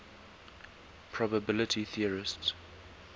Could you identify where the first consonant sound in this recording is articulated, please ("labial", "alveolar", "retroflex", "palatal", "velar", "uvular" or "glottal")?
labial